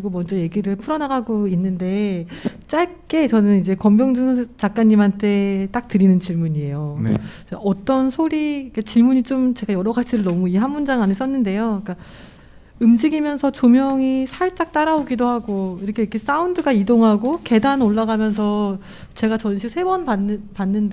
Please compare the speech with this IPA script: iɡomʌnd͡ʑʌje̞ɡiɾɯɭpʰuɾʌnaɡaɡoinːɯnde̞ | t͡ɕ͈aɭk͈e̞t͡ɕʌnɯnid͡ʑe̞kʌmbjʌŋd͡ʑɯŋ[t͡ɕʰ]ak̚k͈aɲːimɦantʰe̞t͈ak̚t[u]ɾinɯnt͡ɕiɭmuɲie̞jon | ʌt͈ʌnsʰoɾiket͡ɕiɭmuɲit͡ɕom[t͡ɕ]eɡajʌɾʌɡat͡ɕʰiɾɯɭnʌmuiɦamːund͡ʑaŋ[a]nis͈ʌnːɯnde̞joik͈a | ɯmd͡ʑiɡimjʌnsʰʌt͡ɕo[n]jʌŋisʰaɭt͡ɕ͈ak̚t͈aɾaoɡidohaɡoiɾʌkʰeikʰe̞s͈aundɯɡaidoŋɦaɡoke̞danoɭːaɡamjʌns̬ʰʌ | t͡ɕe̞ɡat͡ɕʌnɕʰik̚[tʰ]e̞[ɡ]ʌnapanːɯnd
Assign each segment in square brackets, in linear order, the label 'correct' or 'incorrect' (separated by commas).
incorrect, incorrect, correct, correct, incorrect, incorrect, incorrect